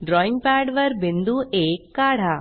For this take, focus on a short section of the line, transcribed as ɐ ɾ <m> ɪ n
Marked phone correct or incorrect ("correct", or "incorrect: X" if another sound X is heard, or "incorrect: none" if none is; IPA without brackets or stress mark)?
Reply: incorrect: b